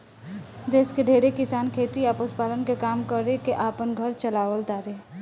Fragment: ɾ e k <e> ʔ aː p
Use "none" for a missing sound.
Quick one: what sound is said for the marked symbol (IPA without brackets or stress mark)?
e